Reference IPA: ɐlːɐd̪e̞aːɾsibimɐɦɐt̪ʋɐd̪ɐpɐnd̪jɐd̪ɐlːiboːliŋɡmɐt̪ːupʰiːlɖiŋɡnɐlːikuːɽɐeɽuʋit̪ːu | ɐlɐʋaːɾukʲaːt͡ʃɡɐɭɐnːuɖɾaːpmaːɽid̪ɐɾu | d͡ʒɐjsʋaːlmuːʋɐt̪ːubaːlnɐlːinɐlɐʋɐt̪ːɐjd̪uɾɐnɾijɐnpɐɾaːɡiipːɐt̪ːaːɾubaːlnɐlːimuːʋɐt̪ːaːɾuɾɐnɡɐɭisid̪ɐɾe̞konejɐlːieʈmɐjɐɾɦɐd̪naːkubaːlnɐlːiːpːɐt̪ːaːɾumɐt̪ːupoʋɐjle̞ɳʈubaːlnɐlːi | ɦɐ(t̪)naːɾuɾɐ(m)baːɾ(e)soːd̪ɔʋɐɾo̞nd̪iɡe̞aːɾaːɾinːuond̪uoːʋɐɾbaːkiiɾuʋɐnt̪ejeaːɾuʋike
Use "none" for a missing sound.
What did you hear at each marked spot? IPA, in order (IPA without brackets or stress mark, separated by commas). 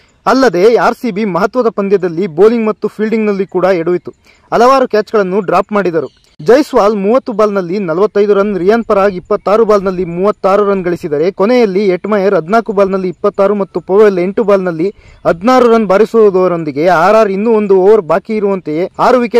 d̪, n, i